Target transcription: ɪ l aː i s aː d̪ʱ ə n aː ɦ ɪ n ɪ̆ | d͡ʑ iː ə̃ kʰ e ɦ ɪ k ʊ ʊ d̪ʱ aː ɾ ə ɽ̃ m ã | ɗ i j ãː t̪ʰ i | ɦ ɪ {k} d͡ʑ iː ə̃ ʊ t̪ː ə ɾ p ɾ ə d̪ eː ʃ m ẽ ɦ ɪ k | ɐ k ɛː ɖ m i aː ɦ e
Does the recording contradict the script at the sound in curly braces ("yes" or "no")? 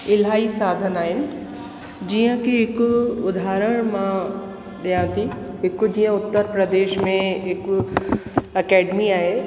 no